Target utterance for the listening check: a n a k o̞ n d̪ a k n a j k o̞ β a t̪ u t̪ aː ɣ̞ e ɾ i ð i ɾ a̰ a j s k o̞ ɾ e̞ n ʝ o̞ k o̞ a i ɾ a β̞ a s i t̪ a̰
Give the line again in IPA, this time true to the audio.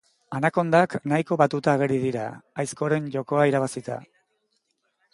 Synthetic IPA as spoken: a n a k o̞ n d̪ a k n a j k o̞ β a t̪ u t̪ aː ɣ̞ e ɾ i ð i ɾ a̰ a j s k o̞ ɾ e̞ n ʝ o̞ k o̞ a i ɾ a β̞ a s i t̪ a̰